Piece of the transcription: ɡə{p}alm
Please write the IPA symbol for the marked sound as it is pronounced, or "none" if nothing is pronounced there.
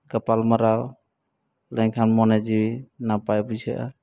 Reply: p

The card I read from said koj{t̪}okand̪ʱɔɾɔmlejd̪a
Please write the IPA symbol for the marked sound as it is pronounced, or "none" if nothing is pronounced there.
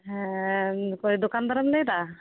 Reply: d̪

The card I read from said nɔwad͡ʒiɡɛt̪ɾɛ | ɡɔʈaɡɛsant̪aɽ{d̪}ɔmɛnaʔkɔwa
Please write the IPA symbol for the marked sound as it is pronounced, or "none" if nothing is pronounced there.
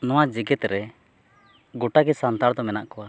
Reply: d̪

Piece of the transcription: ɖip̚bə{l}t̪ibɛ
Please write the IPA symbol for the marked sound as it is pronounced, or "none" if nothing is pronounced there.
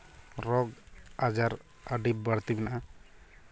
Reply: ɽ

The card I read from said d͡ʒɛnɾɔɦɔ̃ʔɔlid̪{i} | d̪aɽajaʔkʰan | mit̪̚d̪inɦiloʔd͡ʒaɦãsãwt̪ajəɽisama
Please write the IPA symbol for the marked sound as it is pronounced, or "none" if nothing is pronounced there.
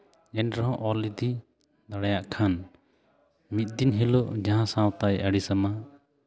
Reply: i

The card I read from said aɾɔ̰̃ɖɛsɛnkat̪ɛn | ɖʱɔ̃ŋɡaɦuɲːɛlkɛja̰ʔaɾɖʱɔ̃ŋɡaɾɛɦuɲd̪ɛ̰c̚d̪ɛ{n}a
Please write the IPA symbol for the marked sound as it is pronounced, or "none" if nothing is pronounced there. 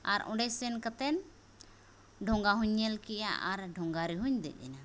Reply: n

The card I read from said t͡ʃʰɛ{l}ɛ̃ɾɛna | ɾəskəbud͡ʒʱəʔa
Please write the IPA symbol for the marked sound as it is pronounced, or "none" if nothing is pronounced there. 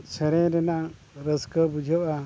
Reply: ɾ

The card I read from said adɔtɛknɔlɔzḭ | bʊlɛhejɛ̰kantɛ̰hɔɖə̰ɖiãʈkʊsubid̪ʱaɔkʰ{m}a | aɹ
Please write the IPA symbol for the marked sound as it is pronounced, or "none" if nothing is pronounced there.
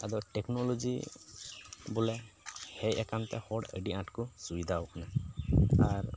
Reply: n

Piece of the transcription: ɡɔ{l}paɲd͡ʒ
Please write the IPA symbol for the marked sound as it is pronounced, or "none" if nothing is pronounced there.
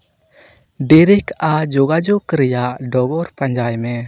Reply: ɾ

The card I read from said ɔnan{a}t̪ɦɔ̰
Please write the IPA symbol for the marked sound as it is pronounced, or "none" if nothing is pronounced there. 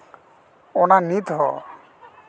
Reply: i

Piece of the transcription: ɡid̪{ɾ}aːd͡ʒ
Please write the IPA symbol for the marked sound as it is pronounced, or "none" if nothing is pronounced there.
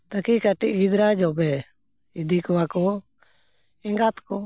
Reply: ɾ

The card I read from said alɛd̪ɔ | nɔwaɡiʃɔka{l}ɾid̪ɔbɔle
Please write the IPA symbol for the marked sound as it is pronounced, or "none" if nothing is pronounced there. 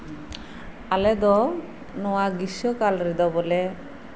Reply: l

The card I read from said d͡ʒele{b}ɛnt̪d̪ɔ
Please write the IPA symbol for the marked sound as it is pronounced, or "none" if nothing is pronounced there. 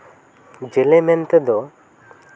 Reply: m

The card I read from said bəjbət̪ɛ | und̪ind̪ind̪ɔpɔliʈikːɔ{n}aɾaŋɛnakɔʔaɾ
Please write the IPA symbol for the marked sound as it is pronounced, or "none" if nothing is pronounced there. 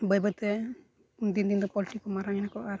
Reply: m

